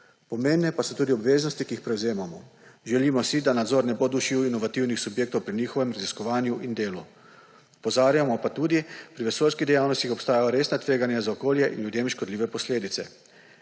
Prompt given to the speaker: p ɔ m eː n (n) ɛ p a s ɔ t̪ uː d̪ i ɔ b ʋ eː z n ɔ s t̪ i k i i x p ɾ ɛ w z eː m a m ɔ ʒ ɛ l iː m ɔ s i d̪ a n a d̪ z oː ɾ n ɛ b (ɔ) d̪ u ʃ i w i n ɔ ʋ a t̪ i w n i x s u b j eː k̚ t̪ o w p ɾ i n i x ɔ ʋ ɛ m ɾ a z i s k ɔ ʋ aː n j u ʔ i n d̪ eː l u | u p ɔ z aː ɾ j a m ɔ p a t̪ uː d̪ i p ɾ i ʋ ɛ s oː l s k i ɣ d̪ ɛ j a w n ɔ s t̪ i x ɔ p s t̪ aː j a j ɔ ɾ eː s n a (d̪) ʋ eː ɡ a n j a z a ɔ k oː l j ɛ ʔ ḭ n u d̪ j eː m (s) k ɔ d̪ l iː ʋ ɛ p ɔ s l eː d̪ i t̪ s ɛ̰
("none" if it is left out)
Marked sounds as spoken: n, o, t̪, ʃ

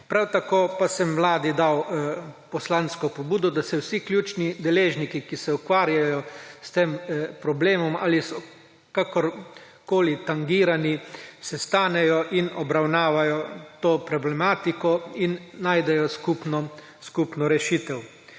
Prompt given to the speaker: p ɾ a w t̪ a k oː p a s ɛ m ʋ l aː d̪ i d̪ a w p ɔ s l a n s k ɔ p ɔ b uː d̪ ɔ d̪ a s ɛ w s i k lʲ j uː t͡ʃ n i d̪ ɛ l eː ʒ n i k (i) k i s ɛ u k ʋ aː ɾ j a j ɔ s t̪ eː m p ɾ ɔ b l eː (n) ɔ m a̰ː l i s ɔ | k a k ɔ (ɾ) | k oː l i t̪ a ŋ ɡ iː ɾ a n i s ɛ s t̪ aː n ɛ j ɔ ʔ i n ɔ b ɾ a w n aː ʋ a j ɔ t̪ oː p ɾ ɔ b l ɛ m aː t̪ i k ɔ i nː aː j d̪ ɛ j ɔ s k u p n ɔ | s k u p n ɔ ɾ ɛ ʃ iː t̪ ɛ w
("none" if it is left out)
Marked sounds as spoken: i, m, ɾ

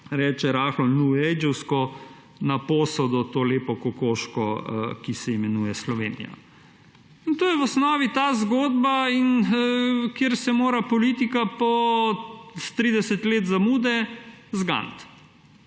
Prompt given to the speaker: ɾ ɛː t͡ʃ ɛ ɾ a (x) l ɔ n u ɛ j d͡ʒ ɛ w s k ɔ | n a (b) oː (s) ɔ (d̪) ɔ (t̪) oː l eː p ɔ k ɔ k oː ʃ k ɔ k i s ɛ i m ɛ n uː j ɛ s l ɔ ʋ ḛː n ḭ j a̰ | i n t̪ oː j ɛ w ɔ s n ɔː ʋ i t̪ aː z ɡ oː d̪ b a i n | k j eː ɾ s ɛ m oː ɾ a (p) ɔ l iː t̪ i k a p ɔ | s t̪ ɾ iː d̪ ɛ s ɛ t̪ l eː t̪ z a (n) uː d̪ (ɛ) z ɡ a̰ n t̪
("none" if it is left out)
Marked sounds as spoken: x, p, s, d̪, t̪, p, m, ɛ

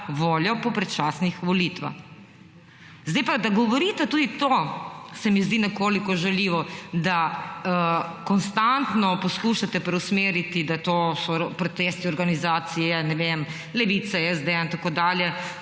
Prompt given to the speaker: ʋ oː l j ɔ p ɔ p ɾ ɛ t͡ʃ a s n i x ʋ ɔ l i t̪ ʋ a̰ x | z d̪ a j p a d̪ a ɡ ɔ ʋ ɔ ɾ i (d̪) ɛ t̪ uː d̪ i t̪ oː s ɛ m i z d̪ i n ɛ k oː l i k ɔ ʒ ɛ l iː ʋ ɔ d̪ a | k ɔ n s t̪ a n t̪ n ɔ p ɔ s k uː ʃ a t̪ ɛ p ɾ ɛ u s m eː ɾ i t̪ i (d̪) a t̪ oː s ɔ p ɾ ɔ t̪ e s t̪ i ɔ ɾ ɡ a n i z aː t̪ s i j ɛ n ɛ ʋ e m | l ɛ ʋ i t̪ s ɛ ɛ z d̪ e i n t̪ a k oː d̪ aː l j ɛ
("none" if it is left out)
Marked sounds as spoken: t̪, d̪

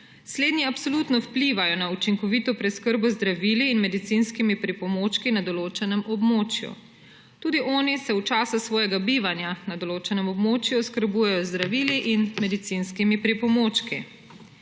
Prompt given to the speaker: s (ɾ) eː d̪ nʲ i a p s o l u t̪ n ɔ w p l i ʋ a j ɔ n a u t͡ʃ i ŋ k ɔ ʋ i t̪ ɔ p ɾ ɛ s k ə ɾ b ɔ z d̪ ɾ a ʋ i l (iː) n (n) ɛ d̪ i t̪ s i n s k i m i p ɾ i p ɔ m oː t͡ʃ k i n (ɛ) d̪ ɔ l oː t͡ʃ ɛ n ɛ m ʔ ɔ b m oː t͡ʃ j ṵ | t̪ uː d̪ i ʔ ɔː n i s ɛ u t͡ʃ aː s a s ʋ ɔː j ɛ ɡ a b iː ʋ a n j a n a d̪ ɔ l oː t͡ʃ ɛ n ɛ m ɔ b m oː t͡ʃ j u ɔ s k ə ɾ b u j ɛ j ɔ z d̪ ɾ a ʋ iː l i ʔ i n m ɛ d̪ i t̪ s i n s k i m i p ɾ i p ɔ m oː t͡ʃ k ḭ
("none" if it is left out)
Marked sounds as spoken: l, iː, m, a

